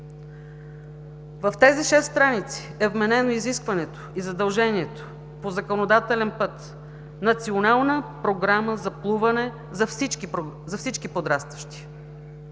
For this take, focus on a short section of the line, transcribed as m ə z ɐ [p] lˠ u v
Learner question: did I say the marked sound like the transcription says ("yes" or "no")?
yes